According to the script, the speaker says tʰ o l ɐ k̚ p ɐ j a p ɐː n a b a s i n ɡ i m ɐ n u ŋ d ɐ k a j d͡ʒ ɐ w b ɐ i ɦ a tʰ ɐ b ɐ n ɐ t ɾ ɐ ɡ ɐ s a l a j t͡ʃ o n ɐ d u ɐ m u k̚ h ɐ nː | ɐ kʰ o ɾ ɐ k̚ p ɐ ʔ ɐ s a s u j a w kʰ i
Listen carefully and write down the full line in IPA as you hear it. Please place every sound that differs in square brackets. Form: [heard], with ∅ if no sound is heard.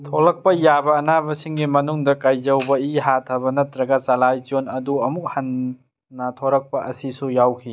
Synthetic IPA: tʰ o l ɐ k̚ p ɐ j a [b] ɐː n a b [ɐ] s i [ŋ] ɡ i m ɐ n u ŋ d ɐ k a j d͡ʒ ɐ w b ɐ i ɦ a tʰ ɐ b ɐ n ɐ t ɾ ɐ ɡ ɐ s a l a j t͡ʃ o n ɐ d u ɐ m u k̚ h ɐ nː | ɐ [tʰ] o ɾ ɐ k̚ p ɐ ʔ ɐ s [i] s u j a w kʰ i